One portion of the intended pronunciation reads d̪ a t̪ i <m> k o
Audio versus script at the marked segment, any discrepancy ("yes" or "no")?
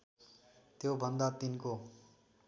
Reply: yes